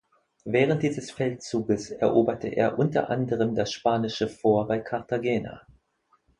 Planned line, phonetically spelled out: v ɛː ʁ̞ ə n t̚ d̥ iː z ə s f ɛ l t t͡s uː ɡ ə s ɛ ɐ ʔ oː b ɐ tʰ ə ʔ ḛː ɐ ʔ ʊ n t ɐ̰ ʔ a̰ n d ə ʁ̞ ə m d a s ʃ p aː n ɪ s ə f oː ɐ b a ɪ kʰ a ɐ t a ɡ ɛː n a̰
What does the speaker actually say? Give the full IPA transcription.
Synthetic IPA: v ɛː ʁ̞ ə n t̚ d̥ iː z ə s f ɛ l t t͡s uː ɡ ə s ɛ ɐ ʔ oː b ɐ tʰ ə ʔ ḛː ɐ ʔ ʊ n t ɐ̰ ʔ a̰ n d ə ʁ̞ ə m d a s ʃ p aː n ɪ ʃ ə f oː ɐ b a ɪ kʰ a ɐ t a ɡ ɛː n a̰